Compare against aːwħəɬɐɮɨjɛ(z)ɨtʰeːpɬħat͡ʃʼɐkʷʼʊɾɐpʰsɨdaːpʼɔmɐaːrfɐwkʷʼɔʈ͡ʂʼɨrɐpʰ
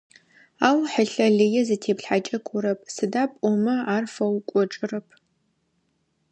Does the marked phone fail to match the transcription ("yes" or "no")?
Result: no